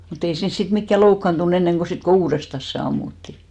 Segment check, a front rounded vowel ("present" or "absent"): absent